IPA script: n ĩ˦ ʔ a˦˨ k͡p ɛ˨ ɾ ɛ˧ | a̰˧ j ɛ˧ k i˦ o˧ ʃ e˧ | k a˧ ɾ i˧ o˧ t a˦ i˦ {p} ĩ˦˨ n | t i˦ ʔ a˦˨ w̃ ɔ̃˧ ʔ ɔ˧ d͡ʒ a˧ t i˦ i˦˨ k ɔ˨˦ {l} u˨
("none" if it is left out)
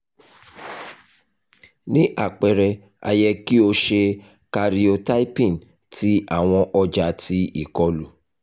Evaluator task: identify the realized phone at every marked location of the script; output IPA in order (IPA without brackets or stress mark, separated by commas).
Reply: p, l